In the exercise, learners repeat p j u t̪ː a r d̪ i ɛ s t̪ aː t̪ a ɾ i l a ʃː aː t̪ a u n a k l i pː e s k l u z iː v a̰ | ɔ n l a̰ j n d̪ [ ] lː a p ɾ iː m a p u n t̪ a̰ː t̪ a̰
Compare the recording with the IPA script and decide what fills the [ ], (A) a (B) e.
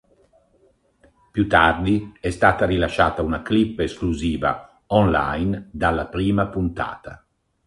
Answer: A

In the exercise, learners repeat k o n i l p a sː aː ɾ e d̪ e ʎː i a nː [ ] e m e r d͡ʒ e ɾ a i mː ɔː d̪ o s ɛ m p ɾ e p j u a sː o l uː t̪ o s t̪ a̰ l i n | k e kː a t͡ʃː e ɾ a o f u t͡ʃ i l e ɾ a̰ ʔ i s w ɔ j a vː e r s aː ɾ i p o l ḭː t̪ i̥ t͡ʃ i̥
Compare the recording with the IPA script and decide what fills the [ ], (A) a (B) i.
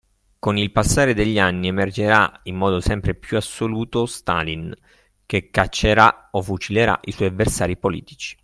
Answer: B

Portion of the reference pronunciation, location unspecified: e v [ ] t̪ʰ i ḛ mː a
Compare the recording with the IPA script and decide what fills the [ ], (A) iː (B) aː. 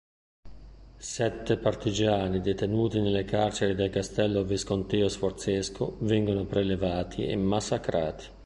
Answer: B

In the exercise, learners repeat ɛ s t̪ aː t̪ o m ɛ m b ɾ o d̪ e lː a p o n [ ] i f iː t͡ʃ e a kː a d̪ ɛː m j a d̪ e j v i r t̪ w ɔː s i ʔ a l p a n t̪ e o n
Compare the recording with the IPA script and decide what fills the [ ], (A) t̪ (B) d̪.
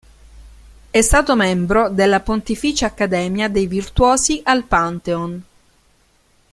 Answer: A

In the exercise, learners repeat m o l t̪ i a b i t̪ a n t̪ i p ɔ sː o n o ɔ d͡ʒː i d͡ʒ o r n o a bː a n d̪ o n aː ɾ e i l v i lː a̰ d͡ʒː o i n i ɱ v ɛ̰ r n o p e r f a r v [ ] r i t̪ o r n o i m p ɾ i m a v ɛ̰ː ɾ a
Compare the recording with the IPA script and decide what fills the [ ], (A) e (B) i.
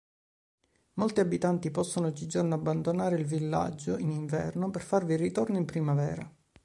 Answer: B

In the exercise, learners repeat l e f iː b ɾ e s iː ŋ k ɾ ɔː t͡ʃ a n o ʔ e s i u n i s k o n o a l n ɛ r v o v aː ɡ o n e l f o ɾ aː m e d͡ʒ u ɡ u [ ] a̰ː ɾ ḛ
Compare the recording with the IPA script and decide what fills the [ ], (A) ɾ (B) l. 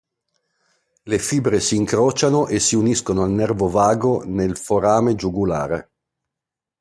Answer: B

